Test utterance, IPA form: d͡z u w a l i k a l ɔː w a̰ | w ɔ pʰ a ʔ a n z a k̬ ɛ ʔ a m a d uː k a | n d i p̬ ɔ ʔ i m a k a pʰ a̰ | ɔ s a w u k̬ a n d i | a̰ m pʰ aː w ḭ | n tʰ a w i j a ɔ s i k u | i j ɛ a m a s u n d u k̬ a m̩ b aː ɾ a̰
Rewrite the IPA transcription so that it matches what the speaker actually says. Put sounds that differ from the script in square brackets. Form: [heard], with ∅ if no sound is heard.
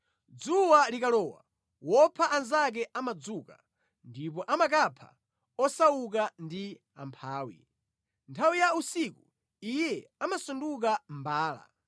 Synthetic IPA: d͡z u w a l i k a l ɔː w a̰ | w ɔ pʰ a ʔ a n z a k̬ ɛ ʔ a m a [d͡z] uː k a | n d i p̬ ɔ ʔ [a] m a k a pʰ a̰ | ɔ s a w u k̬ a n d i | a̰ m pʰ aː w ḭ | n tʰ a w i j a [u] s i k u | i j ɛ a m a s u n d u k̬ a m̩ b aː [l] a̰